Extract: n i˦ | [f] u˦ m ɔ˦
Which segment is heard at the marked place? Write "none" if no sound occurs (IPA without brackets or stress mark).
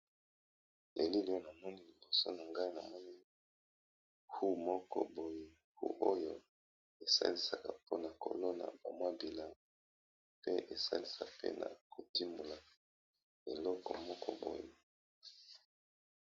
h